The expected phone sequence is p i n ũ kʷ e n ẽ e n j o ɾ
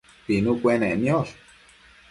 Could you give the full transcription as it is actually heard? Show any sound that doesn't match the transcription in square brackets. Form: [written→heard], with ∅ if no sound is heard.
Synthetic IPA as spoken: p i n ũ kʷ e n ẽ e n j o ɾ